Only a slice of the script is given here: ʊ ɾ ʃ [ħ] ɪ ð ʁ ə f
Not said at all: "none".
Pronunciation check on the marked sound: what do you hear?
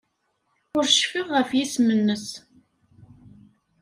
f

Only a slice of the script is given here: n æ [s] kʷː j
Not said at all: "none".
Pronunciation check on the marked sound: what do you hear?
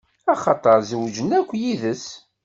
none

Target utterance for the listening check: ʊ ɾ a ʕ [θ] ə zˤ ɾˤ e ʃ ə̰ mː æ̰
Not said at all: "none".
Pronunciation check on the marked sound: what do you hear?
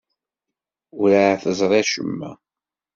θ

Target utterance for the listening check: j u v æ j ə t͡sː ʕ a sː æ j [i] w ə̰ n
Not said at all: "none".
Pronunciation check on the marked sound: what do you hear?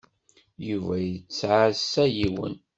i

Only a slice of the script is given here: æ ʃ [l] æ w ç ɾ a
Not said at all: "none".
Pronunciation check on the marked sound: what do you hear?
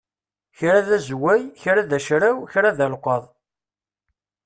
ɾ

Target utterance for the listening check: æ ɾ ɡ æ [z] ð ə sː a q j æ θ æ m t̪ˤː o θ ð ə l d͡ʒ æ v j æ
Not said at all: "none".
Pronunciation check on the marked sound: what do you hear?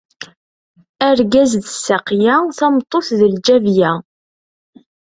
z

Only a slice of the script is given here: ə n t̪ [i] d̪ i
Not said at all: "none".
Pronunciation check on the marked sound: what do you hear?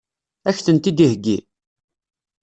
i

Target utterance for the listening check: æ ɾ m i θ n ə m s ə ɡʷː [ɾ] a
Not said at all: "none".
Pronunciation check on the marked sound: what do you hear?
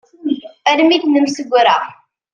ɾ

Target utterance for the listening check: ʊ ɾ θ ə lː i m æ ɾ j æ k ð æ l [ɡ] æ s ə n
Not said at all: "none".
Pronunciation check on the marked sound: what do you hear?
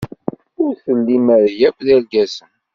ɡ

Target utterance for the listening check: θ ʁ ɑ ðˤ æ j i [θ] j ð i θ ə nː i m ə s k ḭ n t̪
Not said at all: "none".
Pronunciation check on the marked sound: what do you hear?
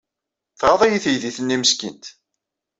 θ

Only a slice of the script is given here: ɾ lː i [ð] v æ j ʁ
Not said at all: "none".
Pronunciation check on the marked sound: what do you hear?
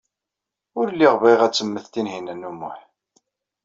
ʁ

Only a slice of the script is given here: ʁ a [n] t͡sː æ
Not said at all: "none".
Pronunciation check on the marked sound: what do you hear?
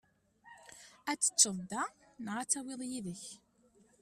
none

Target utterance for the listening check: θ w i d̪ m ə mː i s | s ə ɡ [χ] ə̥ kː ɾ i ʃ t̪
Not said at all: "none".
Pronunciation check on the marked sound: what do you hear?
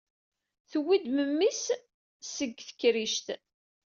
θ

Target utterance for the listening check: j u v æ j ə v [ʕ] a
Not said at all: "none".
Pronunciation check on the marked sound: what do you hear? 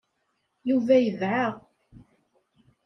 ʕ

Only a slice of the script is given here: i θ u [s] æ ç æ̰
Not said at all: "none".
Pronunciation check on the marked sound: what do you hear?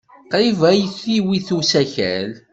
s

